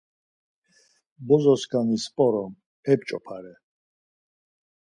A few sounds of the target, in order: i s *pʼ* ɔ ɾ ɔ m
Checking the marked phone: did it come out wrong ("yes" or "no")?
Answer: no